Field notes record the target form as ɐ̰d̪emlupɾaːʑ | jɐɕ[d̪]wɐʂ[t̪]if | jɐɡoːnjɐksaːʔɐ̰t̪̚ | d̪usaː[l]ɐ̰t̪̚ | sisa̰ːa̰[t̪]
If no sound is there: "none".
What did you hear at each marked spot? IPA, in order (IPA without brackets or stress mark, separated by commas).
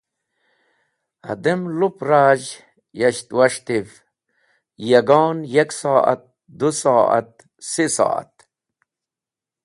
t̪, t̪, none, t̪